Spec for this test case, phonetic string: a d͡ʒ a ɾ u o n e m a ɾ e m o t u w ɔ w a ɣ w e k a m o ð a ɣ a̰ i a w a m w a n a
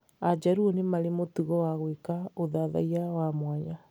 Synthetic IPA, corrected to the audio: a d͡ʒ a ɾ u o n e m a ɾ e m o t u ɣ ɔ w a ɣ w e k a o ð a ð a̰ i a w a m w a ɲ a

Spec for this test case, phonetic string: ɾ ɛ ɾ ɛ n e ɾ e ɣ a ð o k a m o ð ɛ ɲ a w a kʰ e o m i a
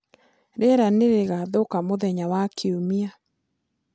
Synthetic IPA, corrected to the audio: ɾ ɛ ɾ a n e ɾ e ɣ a ð o k a m o ð ɛ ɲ a w a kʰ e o m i a

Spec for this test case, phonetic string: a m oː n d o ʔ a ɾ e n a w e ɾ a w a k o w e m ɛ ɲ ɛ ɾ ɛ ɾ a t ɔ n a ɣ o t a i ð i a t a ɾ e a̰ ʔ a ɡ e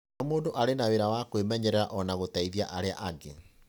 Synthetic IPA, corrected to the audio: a m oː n d o ʔ a ɾ e n a w e ɾ a w a k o w e m ɛ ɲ ɛ ɾ ɛ ɾ a ʔ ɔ n a ɣ o t a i ð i a ʔ a ɾ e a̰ ʔ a ɡ e

